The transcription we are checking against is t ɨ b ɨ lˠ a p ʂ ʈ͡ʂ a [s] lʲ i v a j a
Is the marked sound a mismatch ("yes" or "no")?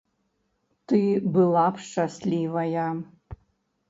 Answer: no